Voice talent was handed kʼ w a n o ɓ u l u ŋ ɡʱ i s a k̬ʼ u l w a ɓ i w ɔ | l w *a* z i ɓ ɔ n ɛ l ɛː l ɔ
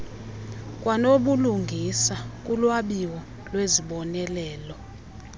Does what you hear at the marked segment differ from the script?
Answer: yes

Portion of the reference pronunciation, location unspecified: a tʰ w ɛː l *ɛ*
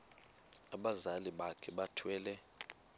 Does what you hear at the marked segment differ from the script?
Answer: no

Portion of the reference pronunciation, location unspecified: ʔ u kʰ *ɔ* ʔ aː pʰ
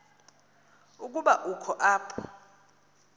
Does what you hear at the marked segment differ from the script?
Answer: no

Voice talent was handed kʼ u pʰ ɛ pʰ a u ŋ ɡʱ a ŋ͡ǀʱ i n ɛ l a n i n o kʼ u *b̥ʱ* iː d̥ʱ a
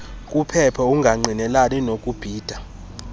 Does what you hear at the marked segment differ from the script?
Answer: no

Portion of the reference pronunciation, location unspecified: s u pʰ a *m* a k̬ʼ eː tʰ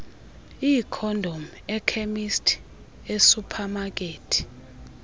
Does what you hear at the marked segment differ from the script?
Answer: no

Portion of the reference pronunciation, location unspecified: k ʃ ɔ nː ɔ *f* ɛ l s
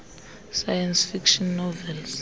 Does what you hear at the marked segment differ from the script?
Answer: yes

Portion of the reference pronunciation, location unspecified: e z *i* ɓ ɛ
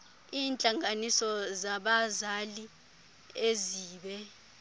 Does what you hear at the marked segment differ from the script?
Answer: yes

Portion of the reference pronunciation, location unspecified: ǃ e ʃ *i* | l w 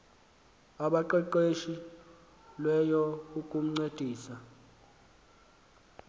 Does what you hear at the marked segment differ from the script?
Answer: no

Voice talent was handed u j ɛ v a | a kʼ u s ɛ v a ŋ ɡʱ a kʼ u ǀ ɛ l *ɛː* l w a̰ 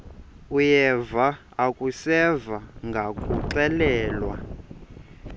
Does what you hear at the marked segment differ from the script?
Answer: no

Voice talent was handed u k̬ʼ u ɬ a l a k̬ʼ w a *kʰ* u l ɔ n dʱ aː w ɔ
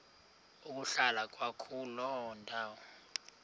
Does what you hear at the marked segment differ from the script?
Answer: no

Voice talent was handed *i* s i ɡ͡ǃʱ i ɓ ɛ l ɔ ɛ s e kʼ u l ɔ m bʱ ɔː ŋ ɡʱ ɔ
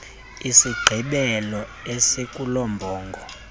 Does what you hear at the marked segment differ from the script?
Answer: no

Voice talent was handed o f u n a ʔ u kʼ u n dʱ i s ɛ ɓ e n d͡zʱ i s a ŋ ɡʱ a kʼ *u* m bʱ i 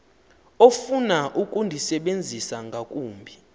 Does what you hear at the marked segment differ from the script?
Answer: yes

